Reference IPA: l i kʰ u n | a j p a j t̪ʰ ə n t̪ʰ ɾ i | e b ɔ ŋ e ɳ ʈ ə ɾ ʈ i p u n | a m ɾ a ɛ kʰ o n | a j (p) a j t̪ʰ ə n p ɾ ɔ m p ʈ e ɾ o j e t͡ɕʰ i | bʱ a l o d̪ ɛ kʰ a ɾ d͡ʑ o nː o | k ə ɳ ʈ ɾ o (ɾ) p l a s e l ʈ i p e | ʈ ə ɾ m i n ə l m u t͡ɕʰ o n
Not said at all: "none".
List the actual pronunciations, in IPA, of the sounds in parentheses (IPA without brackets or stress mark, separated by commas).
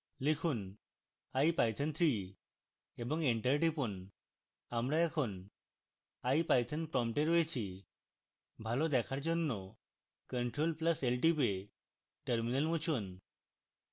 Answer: p, l